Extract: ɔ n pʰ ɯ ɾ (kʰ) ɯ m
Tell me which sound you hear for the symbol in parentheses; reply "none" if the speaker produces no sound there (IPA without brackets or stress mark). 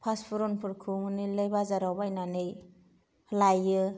kʰ